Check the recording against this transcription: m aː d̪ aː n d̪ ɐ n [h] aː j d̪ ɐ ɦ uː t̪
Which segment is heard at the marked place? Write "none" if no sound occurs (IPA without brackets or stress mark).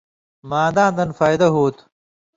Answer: f